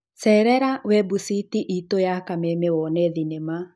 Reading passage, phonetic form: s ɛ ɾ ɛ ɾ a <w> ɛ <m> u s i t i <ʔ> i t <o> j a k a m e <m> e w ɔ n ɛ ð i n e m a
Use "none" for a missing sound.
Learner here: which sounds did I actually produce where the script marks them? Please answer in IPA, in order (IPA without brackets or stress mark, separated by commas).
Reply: w, b, ʔ, o, m